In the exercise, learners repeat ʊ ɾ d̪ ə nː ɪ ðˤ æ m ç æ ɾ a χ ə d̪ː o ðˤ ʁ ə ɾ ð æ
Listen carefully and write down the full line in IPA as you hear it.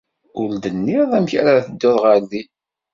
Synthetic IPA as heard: ʊ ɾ d̪ ə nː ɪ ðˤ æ m ç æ ɾ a θ ə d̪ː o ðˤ ʁ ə ɾ ð i